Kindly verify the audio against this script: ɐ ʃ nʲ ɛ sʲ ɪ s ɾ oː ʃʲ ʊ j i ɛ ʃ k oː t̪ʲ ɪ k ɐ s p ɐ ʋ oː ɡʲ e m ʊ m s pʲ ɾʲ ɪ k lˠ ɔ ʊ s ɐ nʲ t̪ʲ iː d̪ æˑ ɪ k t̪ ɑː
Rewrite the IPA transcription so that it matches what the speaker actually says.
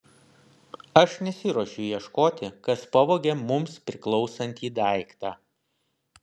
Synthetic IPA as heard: ɐ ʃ nʲ ɛ sʲ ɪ ɾ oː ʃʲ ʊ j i ɛ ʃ k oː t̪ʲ ɪ k ɐ s p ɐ ʋ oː ɡʲ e m ʊ m s pʲ ɾʲ ɪ k lˠ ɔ ʊ s ɐ nʲ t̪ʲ iː d̪ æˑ ɪ k t̪ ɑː